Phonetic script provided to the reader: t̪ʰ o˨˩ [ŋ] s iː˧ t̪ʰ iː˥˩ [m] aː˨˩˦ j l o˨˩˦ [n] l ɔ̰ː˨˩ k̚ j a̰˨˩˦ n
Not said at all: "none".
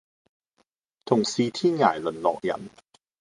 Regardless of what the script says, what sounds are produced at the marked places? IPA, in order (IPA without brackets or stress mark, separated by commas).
ŋ, ŋ, n